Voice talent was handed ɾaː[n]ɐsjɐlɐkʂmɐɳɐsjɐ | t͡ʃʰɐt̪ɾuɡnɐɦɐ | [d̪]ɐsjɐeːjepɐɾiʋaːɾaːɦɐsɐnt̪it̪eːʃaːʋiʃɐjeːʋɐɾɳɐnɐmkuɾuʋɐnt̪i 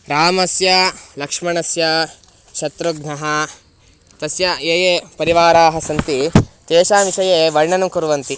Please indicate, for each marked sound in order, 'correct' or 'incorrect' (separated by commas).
incorrect, incorrect